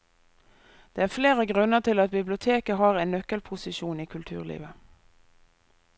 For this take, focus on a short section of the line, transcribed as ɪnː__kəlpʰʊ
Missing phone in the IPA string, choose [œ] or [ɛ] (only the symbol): œ